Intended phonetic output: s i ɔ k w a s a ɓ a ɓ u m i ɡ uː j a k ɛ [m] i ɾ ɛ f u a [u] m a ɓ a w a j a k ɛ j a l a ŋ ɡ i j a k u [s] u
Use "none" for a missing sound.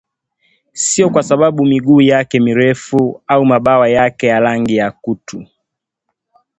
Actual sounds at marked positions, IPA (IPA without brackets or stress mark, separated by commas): m, u, t